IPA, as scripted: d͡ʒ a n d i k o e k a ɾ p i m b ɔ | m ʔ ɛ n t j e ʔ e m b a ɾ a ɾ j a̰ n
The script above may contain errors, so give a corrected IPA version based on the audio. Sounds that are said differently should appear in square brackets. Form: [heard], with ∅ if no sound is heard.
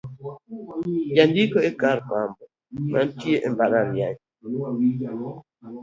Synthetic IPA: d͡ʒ a n d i k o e k a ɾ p [a] m b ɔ | m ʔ [a] n t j e ʔ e m b a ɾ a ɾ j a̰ [ɲ]